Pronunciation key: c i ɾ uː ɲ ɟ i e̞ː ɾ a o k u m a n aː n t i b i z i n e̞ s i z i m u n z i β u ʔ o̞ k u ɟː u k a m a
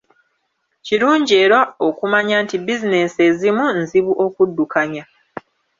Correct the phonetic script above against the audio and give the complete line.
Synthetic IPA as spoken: c i ɾ uː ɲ ɟ i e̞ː ɾ a o k u m a ɲ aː n t i b i z i n e̞ s e z i m u n z i β u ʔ o̞ k u dː u k a ɲ a